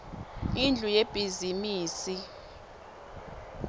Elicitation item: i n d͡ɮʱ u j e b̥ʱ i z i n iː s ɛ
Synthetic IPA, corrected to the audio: i n d͡ɮʱ u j e b̥ʱ i z i m iː s i